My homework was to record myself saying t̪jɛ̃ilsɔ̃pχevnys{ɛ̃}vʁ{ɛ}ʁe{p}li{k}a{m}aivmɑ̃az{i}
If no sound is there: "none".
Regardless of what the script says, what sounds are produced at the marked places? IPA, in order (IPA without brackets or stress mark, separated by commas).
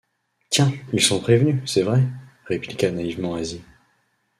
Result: ɛ, ɛ, p, k, n, i